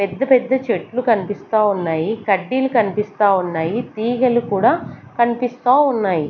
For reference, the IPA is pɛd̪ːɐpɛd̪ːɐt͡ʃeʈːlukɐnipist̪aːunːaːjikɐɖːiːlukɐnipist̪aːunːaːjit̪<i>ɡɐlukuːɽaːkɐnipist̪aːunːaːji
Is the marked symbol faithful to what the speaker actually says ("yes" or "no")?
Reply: no